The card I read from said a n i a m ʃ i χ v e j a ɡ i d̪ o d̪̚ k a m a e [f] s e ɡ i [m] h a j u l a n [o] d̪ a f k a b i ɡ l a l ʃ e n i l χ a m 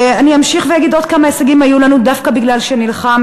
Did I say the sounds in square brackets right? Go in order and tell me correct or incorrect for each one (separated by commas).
incorrect, correct, incorrect